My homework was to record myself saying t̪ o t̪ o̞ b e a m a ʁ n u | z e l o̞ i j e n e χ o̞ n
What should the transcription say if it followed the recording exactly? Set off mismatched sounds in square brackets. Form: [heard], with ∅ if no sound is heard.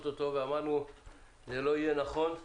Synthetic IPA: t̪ o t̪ o̞ [v] e a m a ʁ n u | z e l o̞ i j e n [a] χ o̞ n

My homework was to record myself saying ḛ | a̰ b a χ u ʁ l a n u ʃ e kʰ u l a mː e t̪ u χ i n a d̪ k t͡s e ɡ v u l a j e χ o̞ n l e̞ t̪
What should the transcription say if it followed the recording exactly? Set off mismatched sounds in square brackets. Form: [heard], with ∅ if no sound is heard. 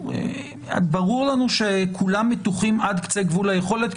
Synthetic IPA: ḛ | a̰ b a [ʁ] u ʁ l a n u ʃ e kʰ u l a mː e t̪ u χ i [m] a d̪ k t͡s e ɡ v u l a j e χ o̞ [∅] l e̞ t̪

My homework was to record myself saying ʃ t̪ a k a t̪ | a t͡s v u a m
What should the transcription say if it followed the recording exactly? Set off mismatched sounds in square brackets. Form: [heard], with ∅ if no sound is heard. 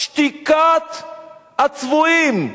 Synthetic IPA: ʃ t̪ [i] k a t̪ | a t͡s v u [i] m

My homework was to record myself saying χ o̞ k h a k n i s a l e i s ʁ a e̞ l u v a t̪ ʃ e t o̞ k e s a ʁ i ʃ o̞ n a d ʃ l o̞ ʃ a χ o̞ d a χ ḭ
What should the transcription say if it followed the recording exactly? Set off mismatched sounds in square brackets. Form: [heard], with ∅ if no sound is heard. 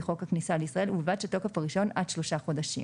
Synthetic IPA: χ o̞ k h a k n i s a l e i s ʁ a e̞ l u v a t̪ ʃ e t o̞ k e [f] a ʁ i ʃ o̞ n a d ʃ l o̞ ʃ a χ o̞ d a [ʃ] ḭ

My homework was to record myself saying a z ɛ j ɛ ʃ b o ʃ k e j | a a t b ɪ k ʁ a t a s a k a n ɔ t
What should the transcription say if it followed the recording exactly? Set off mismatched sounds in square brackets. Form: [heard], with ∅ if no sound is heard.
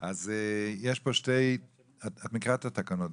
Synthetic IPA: a z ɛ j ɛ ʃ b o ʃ [t] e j | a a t [m] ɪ k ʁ a t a [t] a k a n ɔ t

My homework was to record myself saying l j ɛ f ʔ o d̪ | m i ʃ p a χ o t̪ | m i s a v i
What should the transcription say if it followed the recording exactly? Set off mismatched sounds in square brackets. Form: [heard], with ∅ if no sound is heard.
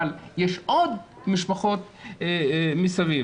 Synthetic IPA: l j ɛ [ʃ] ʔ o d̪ | m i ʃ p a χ o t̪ | m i s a v i

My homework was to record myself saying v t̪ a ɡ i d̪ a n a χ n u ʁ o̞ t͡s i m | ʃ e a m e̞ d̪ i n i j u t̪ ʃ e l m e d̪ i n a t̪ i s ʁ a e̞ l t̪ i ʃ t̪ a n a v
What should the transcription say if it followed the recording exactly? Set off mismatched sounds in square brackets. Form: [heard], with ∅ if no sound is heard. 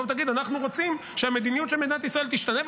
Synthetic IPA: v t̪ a ɡ i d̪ a n a χ n u ʁ o̞ t͡s i m | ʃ e a m e̞ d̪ i n i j u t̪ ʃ e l m e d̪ i n a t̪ i s ʁ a e̞ l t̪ i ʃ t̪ a n [e] v

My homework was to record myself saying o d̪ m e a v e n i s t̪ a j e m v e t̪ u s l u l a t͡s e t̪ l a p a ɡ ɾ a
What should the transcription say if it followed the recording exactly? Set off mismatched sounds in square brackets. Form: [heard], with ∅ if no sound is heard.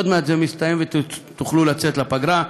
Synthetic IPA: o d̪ m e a [z] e [m] i s t̪ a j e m v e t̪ u [χ] l u l a t͡s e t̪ l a p a ɡ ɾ a

